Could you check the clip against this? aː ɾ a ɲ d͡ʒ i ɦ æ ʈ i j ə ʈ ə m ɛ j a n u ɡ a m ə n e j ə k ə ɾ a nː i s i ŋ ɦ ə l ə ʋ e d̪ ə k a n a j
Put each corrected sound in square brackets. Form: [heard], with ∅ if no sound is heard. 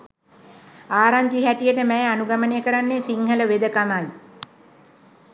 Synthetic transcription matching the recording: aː ɾ a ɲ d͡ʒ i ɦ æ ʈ i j ə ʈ ə m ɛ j a n u ɡ a m ə n e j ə k ə ɾ a nː [e] s i ŋ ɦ ə l ə ʋ e d̪ ə k a [m] a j